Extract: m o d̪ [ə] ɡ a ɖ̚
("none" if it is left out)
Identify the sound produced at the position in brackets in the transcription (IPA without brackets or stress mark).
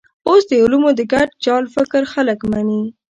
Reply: ə